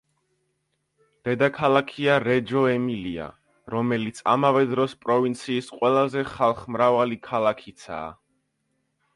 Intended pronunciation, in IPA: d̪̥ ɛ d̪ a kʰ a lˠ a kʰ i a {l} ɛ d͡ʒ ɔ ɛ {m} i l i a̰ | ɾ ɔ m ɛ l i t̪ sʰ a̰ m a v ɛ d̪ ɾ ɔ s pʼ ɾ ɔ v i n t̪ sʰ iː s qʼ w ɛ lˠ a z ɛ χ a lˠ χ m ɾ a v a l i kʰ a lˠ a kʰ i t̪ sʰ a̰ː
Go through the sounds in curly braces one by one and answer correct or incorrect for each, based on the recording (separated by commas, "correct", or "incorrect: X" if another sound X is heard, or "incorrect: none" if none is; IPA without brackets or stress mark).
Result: incorrect: ɾ, correct